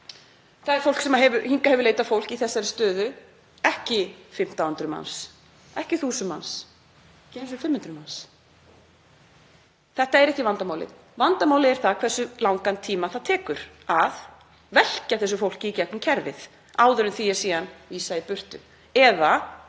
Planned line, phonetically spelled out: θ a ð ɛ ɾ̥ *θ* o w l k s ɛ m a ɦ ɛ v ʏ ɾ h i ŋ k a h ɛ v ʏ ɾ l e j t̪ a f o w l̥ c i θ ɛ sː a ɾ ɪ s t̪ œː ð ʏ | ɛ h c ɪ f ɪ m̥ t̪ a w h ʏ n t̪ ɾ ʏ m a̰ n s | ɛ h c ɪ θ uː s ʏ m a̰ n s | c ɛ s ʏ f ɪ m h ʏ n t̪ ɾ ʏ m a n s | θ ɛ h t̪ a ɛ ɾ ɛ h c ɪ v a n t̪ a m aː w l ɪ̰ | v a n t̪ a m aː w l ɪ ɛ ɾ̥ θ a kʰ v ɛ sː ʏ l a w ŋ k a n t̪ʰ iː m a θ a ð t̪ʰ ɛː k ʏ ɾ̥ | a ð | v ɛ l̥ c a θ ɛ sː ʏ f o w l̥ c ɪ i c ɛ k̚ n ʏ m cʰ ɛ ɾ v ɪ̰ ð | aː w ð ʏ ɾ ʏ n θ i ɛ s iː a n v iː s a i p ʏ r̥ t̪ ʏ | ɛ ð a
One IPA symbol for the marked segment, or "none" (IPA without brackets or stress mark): f